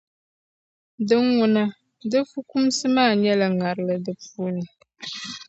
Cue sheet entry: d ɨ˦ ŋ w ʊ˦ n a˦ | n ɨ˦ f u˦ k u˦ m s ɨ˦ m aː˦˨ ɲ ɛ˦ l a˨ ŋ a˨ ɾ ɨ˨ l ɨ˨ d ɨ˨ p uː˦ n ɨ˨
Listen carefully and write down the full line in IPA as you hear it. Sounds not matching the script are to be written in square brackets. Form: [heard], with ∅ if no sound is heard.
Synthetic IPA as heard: d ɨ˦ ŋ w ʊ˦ n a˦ | [d] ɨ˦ f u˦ k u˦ m s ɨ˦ m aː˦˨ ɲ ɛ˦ l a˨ ŋ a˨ ɾ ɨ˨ l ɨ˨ d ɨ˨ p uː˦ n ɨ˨